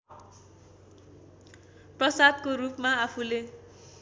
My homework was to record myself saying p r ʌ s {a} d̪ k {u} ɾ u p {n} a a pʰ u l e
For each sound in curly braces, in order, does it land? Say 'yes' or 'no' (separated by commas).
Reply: yes, no, no